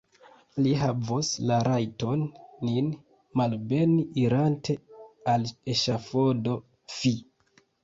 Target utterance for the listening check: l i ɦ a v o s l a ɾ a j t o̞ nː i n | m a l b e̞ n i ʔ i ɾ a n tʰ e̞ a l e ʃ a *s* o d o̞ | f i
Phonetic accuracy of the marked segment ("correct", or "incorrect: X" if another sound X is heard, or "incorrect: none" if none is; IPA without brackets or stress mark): incorrect: f